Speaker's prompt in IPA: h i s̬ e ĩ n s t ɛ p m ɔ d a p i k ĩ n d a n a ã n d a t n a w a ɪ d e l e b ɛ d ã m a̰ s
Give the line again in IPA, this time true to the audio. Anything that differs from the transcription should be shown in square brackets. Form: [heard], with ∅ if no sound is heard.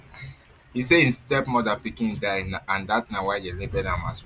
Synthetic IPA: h i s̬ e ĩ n s t ɛ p m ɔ d a p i k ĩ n d a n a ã n d a t n a w a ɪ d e l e b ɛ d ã m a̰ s